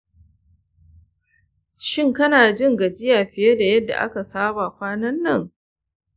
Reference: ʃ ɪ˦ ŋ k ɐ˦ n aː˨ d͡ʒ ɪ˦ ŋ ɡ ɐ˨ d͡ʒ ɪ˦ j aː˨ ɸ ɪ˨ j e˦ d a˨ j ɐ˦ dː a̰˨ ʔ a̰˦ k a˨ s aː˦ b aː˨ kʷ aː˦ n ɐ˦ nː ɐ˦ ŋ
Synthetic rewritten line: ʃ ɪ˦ ŋ k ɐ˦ n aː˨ d͡ʒ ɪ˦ ŋ ɡ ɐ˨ d͡ʒ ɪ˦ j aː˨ ɸ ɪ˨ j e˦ d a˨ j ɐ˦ dː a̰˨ ʔ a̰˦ k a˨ s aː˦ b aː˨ kʷ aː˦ n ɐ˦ nː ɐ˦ ŋ